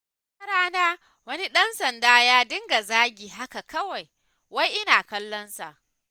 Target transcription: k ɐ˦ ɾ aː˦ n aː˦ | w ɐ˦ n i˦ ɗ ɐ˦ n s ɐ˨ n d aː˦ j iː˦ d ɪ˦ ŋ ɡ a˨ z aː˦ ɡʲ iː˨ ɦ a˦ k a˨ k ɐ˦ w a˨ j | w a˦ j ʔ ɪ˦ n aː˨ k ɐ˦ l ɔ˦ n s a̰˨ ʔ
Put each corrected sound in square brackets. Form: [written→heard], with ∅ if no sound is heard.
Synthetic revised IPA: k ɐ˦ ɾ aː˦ n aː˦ | w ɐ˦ n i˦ ɗ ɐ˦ n s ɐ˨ n d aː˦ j [iː˦→aː˦] d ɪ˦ ŋ ɡ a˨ z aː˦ ɡʲ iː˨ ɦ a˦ k a˨ k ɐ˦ w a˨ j | w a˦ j ʔ ɪ˦ n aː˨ k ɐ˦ [l→lː] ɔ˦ n s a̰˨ ʔ